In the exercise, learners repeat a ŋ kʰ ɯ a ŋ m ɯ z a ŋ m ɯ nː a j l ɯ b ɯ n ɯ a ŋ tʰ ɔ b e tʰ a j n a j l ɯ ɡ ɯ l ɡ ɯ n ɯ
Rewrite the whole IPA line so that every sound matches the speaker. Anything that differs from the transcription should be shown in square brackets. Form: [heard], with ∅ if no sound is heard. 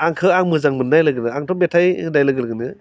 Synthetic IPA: a ŋ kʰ ɯ a ŋ m ɯ z a ŋ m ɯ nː a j l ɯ [ɡ] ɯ n ɯ a ŋ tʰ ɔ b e tʰ a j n a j l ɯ ɡ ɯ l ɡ ɯ n ɯ